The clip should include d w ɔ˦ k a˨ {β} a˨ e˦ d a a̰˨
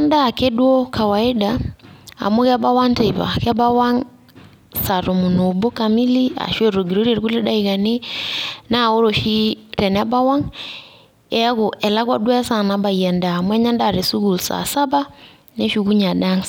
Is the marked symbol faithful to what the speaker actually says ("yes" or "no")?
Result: no